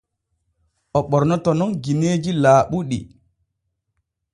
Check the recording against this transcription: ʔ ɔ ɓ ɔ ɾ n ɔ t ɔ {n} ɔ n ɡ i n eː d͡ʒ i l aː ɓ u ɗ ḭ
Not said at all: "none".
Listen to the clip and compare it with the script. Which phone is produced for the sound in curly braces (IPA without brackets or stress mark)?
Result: n